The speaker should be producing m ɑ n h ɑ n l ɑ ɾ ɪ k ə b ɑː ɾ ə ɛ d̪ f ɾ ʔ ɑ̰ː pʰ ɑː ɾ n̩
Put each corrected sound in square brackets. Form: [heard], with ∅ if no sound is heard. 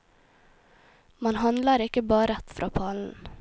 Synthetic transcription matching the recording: m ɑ n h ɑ n l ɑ ɾ ɪ k ə b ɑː ɾ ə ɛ [t̪] f ɾ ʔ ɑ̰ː pʰ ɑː [l] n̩

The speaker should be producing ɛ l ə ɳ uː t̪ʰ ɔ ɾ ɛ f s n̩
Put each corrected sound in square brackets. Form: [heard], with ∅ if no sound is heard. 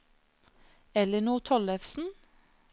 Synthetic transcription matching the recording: ɛ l ə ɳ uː t̪ʰ ɔ [l] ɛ f s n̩

